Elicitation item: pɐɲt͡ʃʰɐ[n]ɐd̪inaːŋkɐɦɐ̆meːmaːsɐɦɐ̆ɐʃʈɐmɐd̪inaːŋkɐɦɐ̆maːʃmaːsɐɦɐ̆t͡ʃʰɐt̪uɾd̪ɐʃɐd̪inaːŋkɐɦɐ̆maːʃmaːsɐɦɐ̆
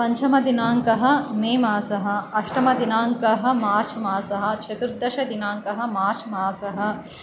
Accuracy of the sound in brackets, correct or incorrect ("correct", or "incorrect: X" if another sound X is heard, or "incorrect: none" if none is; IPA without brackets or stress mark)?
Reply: incorrect: m